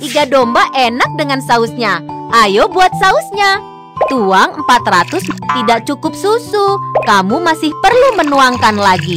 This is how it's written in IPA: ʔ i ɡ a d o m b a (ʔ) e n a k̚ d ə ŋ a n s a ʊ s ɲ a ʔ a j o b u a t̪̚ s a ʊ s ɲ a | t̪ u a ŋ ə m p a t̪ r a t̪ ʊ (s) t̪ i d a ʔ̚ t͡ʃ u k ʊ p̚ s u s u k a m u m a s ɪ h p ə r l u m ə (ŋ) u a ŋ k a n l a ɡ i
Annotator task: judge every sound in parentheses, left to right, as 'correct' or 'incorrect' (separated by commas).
correct, correct, incorrect